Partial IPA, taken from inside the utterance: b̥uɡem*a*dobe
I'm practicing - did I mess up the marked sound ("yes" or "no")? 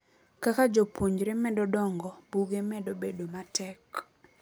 yes